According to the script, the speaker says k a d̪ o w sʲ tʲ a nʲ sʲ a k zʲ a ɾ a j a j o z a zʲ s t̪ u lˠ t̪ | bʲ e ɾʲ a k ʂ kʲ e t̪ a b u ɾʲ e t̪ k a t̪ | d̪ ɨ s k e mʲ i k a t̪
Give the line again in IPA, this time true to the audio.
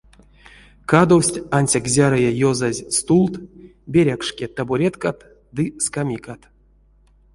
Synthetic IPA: k a d̪ o w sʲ tʲ a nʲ sʲ a k zʲ a ɾ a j a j o z a zʲ s t̪ u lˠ t̪ | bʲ e ɾʲ a k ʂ kʲ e t̪ a b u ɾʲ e t̪ k a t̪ | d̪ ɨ s k a mʲ i k a t̪